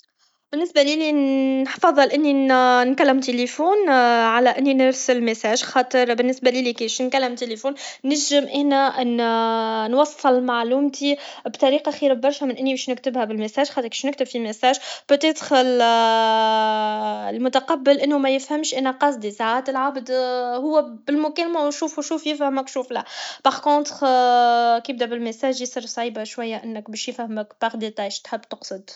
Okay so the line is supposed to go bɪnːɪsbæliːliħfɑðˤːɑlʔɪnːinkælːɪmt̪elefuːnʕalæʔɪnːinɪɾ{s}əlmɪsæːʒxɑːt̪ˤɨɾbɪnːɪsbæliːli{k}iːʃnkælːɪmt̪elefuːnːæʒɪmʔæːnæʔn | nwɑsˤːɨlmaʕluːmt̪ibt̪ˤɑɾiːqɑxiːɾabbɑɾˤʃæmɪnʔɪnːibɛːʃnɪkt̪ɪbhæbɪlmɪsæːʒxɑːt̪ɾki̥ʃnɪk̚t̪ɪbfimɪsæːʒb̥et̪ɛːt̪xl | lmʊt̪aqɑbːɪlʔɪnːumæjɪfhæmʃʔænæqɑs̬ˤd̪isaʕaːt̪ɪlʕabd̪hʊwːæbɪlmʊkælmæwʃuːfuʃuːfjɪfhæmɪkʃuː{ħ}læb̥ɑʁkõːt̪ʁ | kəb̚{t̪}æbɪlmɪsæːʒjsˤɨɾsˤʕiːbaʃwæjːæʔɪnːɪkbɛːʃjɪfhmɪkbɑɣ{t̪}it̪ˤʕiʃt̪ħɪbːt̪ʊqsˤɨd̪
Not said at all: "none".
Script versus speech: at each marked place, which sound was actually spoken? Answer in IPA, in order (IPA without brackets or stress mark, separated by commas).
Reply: s, k, f, d̪, d̪